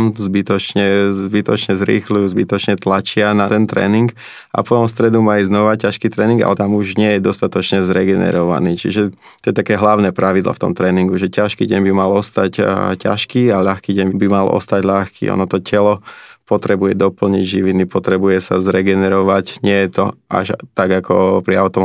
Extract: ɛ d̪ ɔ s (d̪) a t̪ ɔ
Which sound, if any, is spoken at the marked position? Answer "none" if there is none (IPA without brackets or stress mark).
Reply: t̪